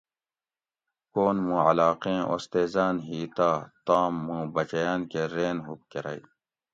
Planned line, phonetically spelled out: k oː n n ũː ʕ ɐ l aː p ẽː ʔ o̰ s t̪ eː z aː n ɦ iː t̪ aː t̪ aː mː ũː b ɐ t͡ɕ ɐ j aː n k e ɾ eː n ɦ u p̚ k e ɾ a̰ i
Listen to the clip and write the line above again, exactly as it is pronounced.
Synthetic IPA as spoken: k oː n m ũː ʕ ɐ l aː q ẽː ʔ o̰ s t̪ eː z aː n ɦ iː t̪ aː t̪ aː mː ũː b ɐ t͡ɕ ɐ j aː n k e ɾ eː n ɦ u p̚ k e ɾ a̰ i